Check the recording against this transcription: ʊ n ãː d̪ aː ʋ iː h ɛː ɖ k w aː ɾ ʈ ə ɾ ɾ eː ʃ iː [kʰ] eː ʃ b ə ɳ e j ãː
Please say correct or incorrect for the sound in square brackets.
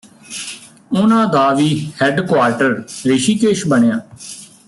incorrect